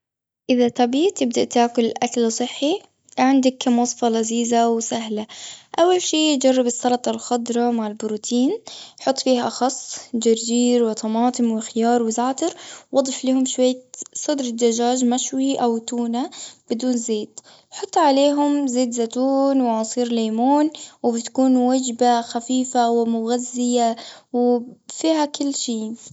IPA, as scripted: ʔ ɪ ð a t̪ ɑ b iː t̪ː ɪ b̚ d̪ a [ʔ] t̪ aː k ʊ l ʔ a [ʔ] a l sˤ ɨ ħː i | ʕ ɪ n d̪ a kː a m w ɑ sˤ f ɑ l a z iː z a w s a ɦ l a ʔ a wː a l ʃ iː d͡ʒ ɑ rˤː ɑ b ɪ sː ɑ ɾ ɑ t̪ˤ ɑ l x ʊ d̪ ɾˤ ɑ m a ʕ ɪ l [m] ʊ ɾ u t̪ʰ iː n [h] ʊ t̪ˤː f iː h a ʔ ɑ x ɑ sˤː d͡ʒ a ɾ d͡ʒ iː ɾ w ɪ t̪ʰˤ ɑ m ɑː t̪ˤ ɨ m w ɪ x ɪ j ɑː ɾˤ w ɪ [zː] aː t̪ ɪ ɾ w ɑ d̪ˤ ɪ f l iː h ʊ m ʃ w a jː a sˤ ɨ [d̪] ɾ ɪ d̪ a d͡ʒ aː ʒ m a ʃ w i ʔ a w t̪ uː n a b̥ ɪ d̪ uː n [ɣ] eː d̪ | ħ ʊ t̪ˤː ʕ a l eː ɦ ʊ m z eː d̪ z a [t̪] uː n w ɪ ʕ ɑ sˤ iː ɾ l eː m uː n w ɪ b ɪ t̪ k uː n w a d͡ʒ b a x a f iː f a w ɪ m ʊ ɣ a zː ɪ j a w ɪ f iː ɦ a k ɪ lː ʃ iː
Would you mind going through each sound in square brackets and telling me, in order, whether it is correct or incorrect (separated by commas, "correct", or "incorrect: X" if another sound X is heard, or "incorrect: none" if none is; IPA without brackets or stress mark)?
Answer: correct, incorrect: k, incorrect: b, incorrect: ħ, incorrect: z, correct, incorrect: z, correct